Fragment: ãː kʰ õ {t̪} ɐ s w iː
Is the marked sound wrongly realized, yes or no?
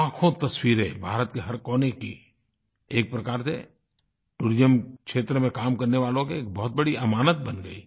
no